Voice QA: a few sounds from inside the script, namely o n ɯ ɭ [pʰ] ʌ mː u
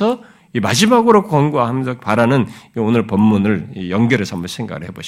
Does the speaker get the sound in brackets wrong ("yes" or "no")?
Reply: yes